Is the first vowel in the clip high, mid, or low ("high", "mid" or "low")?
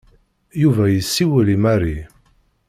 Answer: high